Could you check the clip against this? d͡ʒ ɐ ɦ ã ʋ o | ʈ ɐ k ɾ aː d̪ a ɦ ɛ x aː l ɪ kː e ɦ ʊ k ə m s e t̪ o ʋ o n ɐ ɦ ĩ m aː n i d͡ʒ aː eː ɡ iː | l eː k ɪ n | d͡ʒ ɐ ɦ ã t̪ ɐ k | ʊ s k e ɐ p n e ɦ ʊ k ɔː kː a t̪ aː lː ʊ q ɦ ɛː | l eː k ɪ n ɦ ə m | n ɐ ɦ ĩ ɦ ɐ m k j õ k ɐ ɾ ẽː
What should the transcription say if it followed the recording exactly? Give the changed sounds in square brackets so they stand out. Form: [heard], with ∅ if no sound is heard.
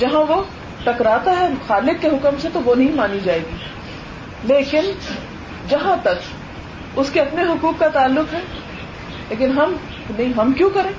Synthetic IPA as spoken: d͡ʒ ɐ ɦ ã ʋ o | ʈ ɐ k ɾ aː [t̪] a ɦ ɛ x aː l ɪ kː e ɦ ʊ k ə m s e t̪ o ʋ o n ɐ ɦ ĩ m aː n i d͡ʒ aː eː ɡ iː | l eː k ɪ n | d͡ʒ ɐ ɦ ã t̪ ɐ k | ʊ s k e ɐ p n e ɦ ʊ k [uː] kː a t̪ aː lː ʊ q ɦ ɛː | l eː k ɪ n ɦ [ɐ] m | n ɐ ɦ ĩ ɦ ɐ m k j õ k ɐ ɾ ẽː